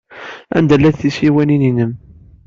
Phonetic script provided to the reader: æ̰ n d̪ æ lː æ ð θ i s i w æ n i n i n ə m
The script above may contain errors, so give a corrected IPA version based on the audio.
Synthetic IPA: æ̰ n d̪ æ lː æ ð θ i s i w æ n i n i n ə m